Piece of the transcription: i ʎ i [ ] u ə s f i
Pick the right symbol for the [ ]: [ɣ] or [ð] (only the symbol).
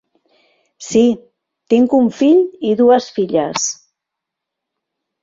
ð